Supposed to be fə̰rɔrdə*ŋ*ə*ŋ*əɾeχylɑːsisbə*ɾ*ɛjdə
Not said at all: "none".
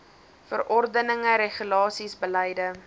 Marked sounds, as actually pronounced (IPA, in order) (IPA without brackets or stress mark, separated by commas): n, ŋ, l